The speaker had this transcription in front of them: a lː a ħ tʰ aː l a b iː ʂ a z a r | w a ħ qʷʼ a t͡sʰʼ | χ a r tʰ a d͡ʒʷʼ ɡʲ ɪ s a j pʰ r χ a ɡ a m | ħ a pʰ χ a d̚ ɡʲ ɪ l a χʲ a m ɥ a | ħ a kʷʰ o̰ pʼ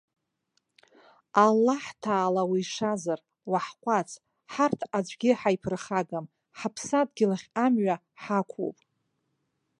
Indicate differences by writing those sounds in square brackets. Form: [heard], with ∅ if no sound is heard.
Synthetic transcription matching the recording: a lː a ħ tʰ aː l a [w] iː ʂ a z a r | w a ħ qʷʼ a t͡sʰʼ | [ħ] a r tʰ a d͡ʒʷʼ ɡʲ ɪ [ħ] a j pʰ r χ a ɡ a m | ħ a pʰ [s] a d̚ ɡʲ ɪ l a χʲ a m ɥ a | ħ a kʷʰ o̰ pʼ